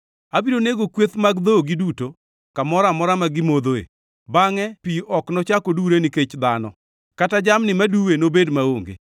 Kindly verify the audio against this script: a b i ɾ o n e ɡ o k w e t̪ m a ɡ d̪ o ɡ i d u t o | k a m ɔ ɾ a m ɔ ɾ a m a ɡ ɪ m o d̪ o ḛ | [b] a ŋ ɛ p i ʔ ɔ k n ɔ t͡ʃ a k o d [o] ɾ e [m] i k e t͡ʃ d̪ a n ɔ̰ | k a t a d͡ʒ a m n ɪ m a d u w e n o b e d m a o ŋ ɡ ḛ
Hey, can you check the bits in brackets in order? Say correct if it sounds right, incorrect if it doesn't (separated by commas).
correct, incorrect, incorrect